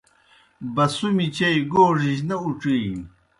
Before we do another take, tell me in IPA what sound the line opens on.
b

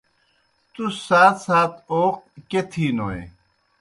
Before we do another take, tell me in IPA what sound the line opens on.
t̪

